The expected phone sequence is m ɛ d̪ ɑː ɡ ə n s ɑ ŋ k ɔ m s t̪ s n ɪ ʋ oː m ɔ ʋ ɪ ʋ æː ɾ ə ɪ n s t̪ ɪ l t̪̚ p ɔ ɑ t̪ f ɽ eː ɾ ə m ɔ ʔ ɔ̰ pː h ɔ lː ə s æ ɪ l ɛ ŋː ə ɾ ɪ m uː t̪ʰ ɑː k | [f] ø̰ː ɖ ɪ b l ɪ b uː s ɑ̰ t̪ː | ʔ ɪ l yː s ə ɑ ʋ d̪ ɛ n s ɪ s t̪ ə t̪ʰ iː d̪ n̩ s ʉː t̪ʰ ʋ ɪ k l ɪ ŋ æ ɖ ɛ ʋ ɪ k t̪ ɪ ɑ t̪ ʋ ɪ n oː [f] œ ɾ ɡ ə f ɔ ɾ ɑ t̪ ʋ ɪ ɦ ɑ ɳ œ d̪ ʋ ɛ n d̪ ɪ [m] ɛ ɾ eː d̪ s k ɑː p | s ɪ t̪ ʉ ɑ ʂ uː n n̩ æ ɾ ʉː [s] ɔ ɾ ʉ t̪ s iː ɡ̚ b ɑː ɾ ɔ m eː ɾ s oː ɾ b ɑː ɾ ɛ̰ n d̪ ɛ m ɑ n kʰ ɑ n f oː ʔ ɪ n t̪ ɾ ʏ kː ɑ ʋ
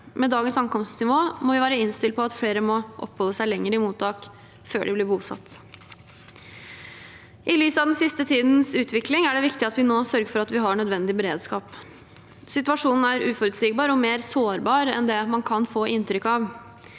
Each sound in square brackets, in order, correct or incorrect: correct, incorrect, incorrect, incorrect

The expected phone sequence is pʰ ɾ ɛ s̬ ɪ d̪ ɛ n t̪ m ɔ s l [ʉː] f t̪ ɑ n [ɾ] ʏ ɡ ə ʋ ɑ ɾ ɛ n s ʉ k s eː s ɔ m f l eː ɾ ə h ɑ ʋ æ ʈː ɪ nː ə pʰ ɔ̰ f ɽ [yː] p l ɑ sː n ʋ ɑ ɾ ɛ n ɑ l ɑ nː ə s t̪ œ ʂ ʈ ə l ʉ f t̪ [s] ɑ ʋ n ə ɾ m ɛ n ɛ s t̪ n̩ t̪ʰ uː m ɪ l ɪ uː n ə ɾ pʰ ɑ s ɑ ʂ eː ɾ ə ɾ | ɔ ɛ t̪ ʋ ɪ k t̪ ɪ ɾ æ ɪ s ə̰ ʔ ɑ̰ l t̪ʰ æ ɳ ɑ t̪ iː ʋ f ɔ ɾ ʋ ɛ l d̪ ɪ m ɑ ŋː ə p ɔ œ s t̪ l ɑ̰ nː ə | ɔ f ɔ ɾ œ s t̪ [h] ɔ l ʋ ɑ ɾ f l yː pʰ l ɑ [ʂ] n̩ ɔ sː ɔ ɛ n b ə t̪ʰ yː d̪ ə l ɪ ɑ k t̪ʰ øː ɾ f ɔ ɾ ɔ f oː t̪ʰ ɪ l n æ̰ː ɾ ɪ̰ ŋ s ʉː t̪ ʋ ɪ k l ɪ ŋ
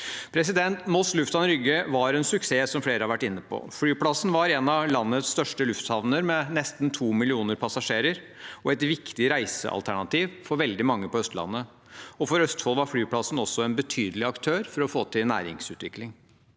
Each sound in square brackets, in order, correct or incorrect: incorrect, correct, correct, incorrect, incorrect, incorrect

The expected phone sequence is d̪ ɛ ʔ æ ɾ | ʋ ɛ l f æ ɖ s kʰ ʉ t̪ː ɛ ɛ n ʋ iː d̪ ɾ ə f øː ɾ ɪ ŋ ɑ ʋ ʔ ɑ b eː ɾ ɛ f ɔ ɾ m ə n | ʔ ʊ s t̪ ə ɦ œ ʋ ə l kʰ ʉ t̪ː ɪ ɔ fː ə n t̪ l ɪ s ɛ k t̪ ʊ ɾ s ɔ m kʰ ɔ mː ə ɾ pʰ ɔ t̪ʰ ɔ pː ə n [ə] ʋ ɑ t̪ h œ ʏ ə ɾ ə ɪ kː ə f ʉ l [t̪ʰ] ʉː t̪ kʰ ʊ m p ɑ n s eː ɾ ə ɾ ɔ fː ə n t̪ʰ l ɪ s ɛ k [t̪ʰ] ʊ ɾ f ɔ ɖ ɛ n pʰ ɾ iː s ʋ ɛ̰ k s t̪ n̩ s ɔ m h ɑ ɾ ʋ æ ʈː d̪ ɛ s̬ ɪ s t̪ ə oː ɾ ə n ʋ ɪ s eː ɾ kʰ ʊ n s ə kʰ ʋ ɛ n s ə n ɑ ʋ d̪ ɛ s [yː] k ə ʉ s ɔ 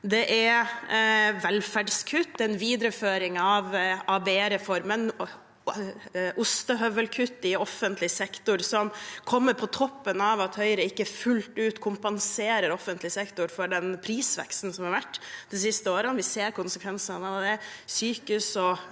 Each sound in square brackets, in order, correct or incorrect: incorrect, incorrect, incorrect, correct

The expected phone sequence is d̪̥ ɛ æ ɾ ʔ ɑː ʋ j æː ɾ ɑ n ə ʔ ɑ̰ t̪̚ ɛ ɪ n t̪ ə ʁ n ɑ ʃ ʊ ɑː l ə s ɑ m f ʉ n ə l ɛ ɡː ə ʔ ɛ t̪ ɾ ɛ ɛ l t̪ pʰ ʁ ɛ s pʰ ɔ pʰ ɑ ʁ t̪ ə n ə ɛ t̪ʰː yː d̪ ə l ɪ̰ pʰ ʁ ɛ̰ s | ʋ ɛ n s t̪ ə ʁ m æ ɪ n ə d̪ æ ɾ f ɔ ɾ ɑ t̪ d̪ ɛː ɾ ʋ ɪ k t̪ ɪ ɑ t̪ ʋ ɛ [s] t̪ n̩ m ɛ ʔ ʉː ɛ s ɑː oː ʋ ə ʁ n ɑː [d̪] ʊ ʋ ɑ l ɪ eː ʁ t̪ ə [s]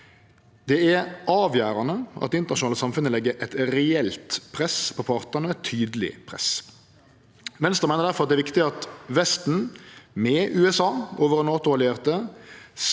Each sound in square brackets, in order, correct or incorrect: correct, incorrect, correct

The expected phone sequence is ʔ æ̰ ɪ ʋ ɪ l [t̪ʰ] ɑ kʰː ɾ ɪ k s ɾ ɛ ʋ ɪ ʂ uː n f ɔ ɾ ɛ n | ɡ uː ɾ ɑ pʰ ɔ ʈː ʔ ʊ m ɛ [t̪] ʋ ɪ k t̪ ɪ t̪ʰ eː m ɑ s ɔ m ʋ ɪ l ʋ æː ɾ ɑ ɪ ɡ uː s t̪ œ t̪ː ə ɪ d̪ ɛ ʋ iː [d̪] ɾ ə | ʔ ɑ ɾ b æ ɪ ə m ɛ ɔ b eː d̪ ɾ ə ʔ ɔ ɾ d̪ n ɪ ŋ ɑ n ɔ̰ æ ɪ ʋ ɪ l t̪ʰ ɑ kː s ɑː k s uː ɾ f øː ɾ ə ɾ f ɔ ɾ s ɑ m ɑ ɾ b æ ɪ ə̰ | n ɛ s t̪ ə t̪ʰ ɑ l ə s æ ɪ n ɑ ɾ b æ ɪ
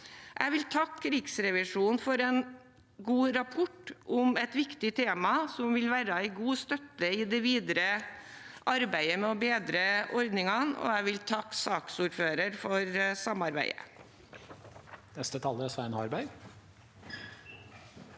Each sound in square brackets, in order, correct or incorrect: correct, correct, correct

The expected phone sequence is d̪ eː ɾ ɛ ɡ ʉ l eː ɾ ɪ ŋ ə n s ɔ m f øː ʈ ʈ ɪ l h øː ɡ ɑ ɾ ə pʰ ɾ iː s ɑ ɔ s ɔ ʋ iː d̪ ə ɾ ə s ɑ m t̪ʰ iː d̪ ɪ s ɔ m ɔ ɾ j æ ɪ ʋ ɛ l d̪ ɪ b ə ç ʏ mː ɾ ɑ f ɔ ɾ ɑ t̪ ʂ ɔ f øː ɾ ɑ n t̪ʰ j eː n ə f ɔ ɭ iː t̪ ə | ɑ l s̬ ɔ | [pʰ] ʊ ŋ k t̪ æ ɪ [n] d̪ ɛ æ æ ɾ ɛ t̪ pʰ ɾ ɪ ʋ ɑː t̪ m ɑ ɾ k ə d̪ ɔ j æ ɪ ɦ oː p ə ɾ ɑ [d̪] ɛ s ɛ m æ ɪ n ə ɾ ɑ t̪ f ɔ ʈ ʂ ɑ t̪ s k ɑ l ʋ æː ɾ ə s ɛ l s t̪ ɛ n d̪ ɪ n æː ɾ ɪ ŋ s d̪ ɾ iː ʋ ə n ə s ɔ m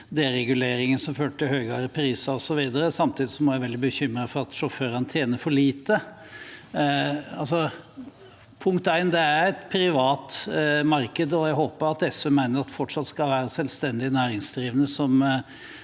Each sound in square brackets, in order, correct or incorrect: correct, correct, incorrect

